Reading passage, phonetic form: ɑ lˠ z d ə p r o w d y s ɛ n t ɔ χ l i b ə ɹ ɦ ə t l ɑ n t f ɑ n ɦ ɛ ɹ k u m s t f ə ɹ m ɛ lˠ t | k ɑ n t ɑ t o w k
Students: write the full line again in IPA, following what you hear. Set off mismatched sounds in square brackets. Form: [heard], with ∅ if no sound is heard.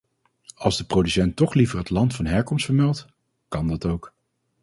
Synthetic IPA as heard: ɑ lˠ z d ə p r o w d y s ɛ n t ɔ χ l i [v] ə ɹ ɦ ə t l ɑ n t f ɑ n ɦ ɛ ɹ k [ɔ] m s t f ə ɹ m ɛ lˠ t | k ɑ n [d] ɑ t o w k

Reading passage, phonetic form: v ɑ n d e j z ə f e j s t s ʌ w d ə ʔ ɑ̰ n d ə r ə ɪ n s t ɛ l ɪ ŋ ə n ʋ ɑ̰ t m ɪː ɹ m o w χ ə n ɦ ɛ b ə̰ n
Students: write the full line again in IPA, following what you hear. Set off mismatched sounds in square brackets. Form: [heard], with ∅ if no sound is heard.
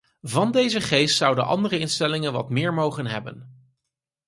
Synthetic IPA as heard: v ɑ n d e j z ə [χ] e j s t s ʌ w d ə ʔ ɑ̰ n d ə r ə ɪ n s t ɛ l ɪ ŋ ə n ʋ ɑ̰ t m ɪː ɹ m o w χ ə n ɦ ɛ b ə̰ n

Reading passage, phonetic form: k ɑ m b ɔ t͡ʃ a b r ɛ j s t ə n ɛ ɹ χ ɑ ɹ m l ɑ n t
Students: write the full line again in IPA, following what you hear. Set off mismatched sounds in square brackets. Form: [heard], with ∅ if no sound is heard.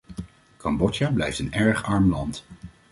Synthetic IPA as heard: k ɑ m b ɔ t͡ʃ a b [l] ɛ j [f] t ə n ɛ ɹ χ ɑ ɹ m l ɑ n t

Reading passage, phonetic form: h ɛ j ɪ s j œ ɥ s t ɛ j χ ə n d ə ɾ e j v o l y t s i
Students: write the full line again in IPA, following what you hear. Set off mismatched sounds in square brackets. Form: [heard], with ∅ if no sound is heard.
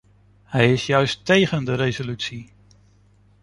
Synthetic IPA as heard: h ɛ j ɪ s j œ ɥ s t [e] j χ ə n d ə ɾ e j [z] o l y t s i

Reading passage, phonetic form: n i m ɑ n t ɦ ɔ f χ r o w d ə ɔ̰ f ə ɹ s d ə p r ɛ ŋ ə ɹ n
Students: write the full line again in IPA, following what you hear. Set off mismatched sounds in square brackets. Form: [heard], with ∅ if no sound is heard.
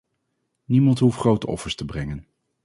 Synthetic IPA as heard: n i m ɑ n t ɦ [u] f χ r o w [t] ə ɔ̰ f ə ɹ s [t] ə [b] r ɛ ŋ ə [∅] n

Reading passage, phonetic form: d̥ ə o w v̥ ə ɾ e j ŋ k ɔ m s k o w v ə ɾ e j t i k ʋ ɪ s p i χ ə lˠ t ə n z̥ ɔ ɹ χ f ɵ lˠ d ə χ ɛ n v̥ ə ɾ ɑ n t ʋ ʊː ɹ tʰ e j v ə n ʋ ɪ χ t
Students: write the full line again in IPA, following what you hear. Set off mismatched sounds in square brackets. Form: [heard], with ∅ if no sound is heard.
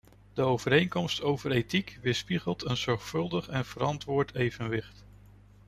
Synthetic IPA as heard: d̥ ə o w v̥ ə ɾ e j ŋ k ɔ m s [t] o w v ə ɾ e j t i k ʋ ɪ s p i χ ə lˠ t ə n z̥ ɔ ɹ χ f ɵ lˠ d ə χ ɛ n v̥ ə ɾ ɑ n t ʋ ʊː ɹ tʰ e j v ə n ʋ ɪ χ t

